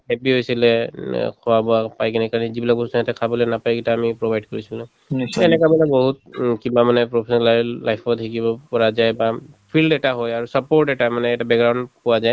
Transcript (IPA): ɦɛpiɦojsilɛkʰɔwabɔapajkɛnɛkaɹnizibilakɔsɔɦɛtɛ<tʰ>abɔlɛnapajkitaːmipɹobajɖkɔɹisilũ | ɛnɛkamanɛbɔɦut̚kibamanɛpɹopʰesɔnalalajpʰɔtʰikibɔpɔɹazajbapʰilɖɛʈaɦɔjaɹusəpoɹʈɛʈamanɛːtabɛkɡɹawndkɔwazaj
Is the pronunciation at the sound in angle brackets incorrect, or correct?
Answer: incorrect